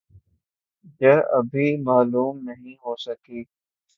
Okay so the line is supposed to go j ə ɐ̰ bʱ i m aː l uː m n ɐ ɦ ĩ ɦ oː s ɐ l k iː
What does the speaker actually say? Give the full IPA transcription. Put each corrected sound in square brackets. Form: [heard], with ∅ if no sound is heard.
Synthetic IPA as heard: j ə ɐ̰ bʱ i m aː l uː m n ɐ ɦ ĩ ɦ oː s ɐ [∅] k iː